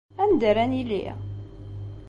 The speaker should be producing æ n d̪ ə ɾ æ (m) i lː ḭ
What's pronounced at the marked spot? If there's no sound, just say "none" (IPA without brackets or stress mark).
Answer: n